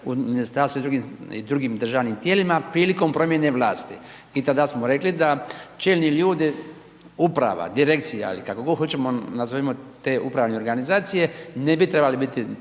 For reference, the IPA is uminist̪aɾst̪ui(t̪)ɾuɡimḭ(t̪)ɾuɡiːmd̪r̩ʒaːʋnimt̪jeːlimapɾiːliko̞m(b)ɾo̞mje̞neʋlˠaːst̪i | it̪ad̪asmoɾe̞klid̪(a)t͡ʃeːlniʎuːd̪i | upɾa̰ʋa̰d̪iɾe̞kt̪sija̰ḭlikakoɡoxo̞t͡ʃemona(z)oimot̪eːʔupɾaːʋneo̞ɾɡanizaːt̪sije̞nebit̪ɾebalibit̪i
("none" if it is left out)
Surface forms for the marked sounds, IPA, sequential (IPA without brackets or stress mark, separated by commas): d̪, d̪, p, a, z